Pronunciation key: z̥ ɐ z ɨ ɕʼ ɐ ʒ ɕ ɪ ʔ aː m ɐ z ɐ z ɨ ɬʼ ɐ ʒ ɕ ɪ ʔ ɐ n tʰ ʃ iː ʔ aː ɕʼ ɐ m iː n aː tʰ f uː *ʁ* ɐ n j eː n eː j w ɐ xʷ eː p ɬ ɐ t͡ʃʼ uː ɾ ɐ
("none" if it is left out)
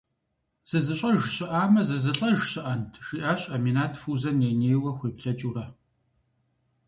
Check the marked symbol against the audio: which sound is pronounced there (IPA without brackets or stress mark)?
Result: z